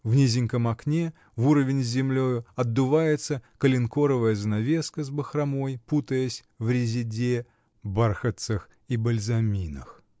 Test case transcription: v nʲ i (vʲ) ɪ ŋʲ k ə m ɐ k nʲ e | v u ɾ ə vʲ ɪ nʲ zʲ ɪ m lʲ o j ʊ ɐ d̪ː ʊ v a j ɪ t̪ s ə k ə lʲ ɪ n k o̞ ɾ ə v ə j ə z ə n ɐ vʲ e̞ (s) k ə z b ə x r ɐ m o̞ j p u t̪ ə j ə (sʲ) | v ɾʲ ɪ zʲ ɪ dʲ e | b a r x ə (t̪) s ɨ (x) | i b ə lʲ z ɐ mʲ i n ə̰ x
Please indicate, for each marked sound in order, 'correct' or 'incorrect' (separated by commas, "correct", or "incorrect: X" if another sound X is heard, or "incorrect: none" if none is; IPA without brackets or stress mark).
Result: incorrect: zʲ, correct, correct, correct, correct